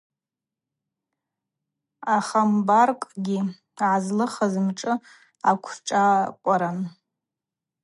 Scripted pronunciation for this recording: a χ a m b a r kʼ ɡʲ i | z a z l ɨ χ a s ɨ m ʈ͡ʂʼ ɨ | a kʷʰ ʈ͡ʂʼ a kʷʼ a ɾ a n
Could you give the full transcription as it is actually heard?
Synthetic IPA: a χ a m b a r kʼ ɡʲ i | ʕ a z l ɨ χ a z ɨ m ʈ͡ʂʼ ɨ | a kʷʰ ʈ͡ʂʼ a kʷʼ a ɾ a n

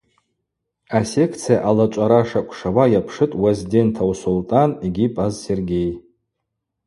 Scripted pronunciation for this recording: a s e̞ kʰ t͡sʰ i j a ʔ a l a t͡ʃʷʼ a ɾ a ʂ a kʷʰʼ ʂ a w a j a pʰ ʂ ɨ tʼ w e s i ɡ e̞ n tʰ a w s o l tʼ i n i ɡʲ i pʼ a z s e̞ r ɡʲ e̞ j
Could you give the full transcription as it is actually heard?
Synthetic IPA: a s e̞ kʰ t͡sʰ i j a ʔ a l a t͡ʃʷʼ a ɾ a ʂ a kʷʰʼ ʂ a w a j a pʰ ʂ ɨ tʼ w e z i d e̞ n tʰ a w s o l tʼ a n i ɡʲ i pʼ a z s e̞ r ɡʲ e̞ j

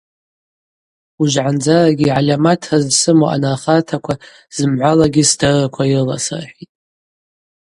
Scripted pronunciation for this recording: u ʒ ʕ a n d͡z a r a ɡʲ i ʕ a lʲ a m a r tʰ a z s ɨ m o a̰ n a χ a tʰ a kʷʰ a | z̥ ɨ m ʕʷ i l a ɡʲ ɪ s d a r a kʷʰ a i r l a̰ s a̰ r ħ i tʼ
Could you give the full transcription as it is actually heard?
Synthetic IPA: u ʒ ʕ a n d͡z a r a ɡʲ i ʕ a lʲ a m a tʰ a z s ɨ m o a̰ n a χ a tʰ a kʷʰ a | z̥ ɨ m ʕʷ a l a ɡʲ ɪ s d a r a kʷʰ a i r l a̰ s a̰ r ħ i tʼ

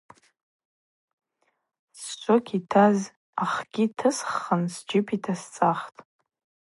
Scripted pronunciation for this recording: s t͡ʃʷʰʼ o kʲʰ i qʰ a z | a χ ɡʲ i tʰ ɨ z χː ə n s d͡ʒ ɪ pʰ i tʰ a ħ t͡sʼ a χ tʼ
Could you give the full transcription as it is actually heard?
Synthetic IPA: s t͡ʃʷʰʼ o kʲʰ i tʰ a z | a χ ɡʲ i tʰ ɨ s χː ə n s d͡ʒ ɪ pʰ i tʰ a s t͡sʼ a χ tʼ

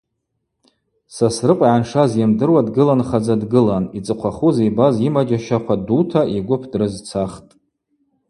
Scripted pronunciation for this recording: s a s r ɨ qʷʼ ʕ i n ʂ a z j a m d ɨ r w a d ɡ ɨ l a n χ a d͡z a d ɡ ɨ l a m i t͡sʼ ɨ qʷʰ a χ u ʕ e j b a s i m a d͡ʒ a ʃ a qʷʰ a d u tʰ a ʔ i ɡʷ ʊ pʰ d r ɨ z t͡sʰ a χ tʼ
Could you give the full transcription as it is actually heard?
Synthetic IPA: s a s r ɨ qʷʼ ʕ a n ʂ a z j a m d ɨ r w a d ɡ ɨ l a n χ a d͡z a d ɡ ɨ l a n i t͡sʼ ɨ qʷʰ a χ u z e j b a z i m a d͡ʒ a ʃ a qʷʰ a d u tʰ a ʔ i ɡʷ ʊ pʰ d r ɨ z t͡sʰ a χ tʼ

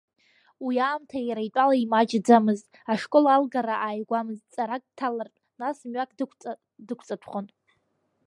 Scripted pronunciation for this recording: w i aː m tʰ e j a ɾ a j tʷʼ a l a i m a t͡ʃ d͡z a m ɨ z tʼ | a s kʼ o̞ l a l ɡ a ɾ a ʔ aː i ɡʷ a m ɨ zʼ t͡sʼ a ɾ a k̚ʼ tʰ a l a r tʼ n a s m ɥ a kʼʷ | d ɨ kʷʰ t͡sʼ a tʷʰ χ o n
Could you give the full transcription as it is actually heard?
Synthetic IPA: w i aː m tʰ a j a ɾ a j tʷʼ a l a i m a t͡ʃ d͡z a m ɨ z tʼ | a ʂ kʼ o̞ l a l ɡ a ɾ a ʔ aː j ɡʷ a m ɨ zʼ t͡sʼ a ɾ a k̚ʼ tʰ a l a r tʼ n a s m ɥ a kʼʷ | d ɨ kʷʰ t͡sʼ a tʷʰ χ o n

